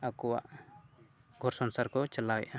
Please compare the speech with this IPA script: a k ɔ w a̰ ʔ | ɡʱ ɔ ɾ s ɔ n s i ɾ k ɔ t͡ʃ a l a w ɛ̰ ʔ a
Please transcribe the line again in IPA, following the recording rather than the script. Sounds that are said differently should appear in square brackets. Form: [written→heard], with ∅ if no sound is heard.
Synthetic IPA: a k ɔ w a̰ ʔ | ɡʱ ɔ ɾ s ɔ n s [i→a] ɾ k ɔ t͡ʃ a l a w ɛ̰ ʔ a